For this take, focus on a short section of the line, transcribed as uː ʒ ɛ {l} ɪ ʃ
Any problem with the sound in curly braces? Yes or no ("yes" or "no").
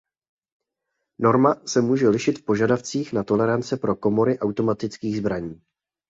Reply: no